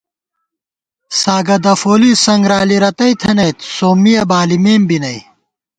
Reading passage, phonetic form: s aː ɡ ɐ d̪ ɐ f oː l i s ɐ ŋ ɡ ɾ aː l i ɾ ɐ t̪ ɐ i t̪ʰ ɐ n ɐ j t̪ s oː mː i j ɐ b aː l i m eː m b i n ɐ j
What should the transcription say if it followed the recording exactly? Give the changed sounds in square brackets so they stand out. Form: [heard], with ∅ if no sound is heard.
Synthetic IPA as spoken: s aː ɡ ɐ d̪ ɐ f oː l i s ɐ ŋ ɡ ɾ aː l i ɾ ɐ t̪ ɐ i t̪ʰ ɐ n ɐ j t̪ s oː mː i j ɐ b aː l i m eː m b i n ɐ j